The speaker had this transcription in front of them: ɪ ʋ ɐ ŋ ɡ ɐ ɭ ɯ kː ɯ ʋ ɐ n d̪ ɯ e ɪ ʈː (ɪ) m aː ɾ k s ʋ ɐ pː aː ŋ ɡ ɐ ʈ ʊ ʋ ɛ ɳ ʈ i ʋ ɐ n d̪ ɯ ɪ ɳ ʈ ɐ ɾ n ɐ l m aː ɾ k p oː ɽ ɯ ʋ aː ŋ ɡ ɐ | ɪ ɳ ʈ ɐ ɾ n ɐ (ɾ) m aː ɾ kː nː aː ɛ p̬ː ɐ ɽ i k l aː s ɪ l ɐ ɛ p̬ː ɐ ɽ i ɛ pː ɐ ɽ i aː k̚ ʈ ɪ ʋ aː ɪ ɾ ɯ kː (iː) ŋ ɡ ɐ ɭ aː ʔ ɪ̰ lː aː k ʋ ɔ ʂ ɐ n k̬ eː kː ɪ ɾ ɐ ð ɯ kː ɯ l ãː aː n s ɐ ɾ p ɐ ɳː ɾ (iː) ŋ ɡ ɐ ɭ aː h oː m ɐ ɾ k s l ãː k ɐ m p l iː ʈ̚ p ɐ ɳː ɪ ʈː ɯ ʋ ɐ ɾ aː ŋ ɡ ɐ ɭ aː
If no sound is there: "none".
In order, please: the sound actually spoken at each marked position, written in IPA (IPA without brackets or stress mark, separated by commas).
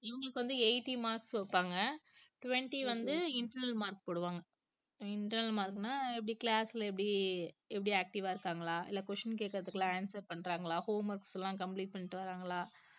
i, l, aː, aː